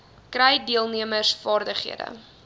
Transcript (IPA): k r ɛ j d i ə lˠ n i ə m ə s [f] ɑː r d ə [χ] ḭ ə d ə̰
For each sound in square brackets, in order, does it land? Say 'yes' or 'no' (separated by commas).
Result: yes, yes